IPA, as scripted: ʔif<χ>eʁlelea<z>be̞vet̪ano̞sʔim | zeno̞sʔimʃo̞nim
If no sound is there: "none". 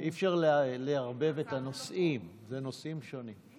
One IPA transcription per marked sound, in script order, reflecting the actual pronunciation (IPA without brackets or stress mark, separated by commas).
ʃ, ʁ